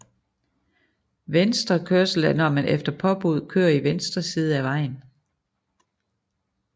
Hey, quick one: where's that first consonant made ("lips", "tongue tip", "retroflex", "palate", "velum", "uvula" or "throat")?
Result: lips